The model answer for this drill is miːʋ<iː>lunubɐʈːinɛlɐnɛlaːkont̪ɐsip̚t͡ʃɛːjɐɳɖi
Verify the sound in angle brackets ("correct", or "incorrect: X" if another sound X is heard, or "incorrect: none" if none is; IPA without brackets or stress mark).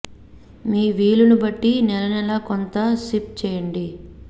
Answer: correct